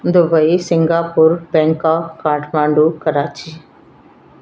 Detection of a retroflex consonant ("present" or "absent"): present